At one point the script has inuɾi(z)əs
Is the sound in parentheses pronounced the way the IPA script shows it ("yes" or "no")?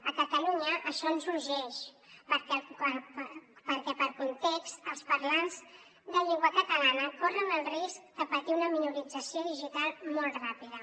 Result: no